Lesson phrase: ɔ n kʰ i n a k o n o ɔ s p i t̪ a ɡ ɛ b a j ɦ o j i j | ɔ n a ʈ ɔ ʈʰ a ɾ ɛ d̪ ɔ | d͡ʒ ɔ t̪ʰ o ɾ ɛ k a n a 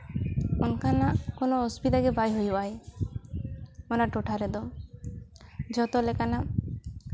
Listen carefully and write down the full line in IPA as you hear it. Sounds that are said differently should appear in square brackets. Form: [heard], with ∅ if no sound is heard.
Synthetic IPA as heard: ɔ n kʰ [a] n a k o n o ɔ s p i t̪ a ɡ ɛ b a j ɦ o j [a] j | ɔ n a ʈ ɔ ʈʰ a ɾ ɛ d̪ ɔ | d͡ʒ ɔ [t̪] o [l] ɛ k a n a